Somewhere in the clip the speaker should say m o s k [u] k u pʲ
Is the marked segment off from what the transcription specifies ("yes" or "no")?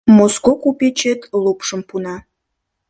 yes